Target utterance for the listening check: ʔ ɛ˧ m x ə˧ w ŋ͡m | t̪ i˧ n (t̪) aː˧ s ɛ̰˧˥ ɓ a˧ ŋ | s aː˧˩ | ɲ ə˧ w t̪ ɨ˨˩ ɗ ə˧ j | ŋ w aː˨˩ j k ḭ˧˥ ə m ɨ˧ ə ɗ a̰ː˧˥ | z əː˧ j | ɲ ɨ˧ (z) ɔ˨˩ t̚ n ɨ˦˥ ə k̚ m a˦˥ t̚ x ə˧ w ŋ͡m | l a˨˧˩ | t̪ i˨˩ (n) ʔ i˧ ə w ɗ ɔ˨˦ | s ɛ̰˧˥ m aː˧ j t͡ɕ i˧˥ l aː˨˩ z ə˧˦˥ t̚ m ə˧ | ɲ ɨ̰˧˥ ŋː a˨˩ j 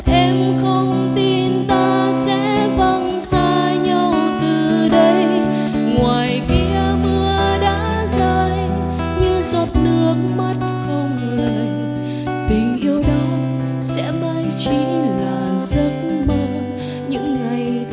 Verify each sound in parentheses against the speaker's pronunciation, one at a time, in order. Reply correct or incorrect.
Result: correct, correct, incorrect: ŋ

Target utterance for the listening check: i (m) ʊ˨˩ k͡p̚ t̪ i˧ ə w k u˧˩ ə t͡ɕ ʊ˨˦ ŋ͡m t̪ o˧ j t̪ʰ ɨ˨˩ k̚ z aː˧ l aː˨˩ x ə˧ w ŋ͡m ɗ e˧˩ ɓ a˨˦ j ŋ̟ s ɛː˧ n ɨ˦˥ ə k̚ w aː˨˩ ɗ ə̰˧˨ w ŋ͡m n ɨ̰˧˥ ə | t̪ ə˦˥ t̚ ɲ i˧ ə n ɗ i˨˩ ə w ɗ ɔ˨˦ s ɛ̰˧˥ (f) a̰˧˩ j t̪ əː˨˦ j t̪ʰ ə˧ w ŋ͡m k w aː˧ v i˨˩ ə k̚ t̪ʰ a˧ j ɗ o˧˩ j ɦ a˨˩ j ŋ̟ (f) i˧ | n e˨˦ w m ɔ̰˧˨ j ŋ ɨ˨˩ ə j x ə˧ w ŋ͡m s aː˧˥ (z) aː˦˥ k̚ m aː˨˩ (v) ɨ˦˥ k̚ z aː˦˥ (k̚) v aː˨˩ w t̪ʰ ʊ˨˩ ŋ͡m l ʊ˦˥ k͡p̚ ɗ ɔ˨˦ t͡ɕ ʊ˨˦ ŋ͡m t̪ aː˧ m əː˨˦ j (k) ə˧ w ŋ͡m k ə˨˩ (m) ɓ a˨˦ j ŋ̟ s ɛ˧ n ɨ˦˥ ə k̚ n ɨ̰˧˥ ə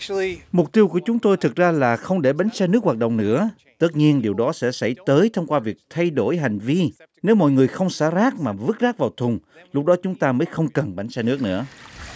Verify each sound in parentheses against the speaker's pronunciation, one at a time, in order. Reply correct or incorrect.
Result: correct, incorrect: s, incorrect: v, correct, correct, correct, incorrect: x, incorrect: n

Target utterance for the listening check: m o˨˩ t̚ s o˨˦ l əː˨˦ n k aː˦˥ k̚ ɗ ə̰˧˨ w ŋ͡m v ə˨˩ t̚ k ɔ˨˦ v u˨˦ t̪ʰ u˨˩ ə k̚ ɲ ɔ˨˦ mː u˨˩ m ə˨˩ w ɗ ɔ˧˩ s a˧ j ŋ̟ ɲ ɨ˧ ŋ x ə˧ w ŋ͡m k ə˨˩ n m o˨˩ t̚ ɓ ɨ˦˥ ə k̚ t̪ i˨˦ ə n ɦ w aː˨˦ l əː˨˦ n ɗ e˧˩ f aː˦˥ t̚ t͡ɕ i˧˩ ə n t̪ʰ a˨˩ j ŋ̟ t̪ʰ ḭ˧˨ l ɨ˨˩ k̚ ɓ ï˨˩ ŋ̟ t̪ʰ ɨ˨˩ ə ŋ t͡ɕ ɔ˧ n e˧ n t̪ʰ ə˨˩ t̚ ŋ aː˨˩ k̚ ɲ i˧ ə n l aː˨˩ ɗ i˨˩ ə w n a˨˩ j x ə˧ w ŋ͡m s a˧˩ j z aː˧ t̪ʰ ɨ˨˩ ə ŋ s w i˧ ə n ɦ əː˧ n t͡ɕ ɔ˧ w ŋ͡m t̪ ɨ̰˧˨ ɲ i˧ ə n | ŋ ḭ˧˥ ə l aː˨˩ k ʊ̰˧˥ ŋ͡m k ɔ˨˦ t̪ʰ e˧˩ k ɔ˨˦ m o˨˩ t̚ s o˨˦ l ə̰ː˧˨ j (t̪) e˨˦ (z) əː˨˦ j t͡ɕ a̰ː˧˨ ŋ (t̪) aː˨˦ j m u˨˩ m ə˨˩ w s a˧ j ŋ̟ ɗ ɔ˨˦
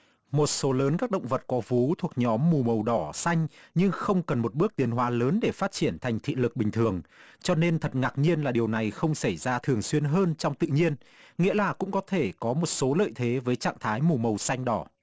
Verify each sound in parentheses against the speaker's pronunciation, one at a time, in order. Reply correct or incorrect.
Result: incorrect: t̪ʰ, incorrect: v, incorrect: t̪ʰ

